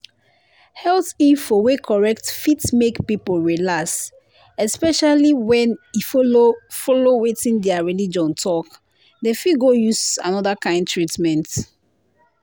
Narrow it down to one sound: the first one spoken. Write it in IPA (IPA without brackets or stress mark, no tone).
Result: h